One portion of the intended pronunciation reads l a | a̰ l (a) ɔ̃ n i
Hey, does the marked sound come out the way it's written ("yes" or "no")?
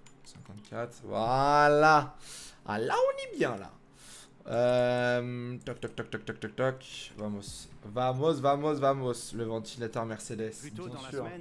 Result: yes